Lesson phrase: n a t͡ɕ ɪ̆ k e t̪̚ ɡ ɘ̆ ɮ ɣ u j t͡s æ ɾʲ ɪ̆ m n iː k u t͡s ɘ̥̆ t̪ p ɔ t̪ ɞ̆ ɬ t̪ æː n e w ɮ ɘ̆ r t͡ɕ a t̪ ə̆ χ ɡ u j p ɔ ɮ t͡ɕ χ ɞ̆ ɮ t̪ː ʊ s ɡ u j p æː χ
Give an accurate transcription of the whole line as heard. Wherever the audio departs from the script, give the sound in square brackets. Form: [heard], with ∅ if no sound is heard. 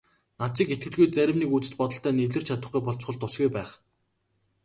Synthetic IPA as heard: n a t͡ɕ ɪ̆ k e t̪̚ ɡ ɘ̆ ɮ ɣ u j t͡s æ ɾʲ ɪ̆ m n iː k u t͡s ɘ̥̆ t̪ p ɔ t̪ ɞ̆ ɬ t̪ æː n e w ɮ ɘ̆ r [t͡ɕʰ] a t̪ ə̆ χ ɡ u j p ɔ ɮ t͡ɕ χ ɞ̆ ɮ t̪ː ʊ s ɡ u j p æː χ